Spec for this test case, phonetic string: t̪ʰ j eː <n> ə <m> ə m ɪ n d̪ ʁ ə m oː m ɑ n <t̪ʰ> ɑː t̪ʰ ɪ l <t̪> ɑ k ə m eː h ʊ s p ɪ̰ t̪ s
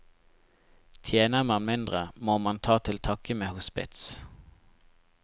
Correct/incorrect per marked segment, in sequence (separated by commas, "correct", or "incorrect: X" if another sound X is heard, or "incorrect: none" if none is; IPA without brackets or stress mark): correct, correct, correct, incorrect: t̪ʰ